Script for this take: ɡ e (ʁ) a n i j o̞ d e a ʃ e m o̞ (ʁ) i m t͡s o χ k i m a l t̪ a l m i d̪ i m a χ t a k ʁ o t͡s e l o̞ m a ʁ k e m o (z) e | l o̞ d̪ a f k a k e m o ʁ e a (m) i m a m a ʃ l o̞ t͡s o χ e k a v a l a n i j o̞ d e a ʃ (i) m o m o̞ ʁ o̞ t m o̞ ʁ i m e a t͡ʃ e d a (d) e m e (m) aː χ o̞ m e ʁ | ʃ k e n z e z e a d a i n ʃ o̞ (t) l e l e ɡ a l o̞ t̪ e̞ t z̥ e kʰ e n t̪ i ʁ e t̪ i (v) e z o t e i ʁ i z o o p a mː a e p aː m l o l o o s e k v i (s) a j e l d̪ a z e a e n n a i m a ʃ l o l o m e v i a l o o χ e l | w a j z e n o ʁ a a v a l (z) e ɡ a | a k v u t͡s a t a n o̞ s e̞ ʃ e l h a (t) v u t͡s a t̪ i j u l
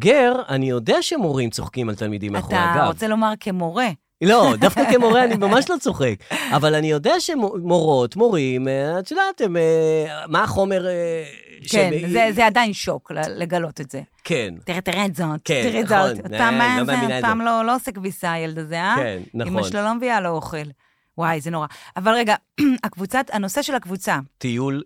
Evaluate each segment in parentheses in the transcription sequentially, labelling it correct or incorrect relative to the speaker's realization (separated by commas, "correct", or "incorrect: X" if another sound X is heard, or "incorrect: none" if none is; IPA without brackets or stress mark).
correct, correct, incorrect: ʁ, incorrect: n, incorrect: e, incorrect: t, correct, incorrect: k, incorrect: ʁ, correct, incorrect: ʁ, incorrect: k